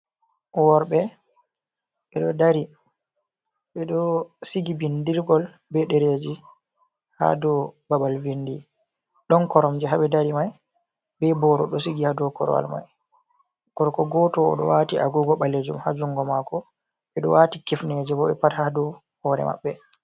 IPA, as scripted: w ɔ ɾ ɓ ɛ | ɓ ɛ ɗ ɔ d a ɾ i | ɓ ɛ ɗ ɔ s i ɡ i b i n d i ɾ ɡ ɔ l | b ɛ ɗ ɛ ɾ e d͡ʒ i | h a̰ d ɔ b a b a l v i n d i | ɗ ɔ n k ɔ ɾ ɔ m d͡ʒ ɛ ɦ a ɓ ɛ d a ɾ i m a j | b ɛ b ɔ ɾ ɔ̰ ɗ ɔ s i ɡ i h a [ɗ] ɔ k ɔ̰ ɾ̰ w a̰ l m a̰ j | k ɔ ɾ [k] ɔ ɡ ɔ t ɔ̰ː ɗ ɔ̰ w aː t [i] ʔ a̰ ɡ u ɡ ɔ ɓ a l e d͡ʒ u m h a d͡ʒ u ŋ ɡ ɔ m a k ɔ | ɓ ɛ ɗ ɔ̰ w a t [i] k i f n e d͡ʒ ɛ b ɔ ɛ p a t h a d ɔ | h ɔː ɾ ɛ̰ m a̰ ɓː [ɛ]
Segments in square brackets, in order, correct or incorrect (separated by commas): incorrect, correct, correct, correct, correct